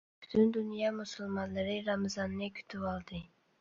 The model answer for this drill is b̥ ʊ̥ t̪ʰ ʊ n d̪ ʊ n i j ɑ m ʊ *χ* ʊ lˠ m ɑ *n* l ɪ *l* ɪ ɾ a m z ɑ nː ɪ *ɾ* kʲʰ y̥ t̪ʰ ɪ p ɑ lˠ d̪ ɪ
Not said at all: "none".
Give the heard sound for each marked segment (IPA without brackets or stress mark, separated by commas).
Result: s, n, ɾ, none